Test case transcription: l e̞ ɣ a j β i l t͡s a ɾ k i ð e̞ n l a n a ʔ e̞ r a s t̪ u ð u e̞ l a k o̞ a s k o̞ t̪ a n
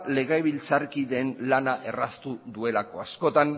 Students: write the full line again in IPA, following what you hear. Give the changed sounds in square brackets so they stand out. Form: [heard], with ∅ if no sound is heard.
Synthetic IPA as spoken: l e̞ ɣ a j β i l t͡s a ɾ k i ð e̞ n l a n a ʔ e̞ r a s t̪ u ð u e̞ l a k o̞ a s k o̞ t̪ a n